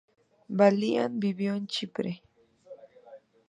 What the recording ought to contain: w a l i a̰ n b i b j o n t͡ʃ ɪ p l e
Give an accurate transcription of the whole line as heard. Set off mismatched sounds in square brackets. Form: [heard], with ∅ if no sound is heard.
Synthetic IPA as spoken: [b] a l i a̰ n b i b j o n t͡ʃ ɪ p [ɾ] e